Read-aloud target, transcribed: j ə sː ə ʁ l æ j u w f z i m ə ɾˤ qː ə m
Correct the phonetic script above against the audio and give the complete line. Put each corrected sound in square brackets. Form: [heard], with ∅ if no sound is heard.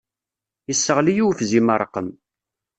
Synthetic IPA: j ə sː ə ʁ l [i] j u w f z i m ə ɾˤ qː ə m